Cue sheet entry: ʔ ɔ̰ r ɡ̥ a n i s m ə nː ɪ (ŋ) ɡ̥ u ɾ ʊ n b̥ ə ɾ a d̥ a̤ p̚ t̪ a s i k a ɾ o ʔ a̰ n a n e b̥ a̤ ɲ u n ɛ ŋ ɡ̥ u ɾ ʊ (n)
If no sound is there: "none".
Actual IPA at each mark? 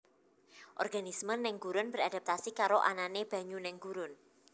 ŋ, n

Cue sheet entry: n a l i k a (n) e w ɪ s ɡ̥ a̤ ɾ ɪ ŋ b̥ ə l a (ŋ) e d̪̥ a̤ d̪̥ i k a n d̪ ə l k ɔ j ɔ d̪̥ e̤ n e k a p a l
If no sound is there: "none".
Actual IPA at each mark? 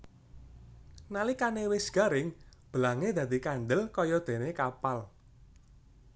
n, ŋ

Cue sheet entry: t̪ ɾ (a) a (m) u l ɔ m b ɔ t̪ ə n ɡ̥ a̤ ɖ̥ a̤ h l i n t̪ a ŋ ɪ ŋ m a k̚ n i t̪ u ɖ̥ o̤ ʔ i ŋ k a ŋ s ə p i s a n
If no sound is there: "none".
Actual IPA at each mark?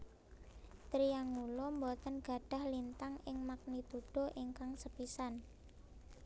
i, ŋ

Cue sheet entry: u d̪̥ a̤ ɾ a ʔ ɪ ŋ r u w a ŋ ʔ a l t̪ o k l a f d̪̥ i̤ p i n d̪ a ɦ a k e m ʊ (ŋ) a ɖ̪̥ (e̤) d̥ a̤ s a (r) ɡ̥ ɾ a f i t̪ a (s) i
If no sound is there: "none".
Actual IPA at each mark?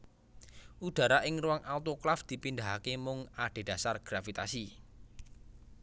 ŋ, e̤, r, s

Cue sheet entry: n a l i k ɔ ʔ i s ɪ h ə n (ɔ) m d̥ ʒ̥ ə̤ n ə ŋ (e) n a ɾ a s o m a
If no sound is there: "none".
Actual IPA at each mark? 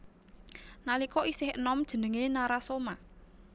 ɔ, e

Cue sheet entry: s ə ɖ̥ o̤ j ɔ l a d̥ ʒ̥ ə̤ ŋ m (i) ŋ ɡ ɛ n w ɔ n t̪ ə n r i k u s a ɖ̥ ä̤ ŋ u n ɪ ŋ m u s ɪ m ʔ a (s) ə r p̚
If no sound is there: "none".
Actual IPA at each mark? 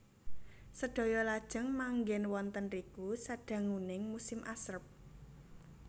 a, s

